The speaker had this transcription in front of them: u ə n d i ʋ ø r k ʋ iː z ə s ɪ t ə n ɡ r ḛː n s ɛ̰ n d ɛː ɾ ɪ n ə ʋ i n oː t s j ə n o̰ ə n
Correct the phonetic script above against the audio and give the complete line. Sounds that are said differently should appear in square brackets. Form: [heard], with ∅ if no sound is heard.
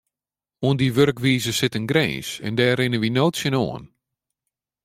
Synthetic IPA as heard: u ə n d i ʋ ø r k ʋ iː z ə s ɪ t ə n ɡ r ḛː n s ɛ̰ n d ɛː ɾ ɪ n ə ʋ i n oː t s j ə n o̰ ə n